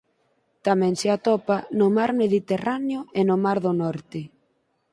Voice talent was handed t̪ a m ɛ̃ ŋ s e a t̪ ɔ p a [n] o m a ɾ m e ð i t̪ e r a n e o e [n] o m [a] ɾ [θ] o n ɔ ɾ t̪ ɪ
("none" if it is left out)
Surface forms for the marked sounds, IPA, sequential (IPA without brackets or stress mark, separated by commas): n, n, a, ð